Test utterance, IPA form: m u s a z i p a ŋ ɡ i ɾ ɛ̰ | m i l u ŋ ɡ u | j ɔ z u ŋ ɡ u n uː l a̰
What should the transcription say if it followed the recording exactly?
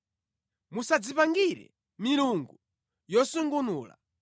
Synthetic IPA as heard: m u s a d͡z i p a ŋ ɡ i ɾ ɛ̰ | m i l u ŋ ɡ u | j ɔ s u ŋ ɡ u n uː l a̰